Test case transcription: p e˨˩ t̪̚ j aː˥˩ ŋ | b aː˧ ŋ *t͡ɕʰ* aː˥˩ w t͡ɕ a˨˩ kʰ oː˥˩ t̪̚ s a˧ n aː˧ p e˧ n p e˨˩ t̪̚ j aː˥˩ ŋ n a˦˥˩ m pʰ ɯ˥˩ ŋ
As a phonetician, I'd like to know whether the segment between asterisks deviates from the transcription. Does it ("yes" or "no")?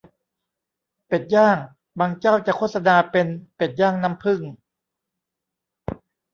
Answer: yes